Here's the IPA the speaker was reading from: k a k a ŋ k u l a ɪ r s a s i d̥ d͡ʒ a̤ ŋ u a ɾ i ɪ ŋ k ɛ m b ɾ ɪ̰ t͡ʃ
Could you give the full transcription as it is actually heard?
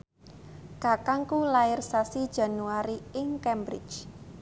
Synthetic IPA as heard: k a k a ŋ k u l a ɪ r s a s i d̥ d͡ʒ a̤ n u a ɾ i ɪ ŋ k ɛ m b ɾ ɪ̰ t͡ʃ